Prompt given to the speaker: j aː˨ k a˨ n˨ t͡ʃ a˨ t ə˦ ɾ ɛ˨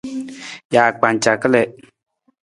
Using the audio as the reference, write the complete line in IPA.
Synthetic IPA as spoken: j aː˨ k͡p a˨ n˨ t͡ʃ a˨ k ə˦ l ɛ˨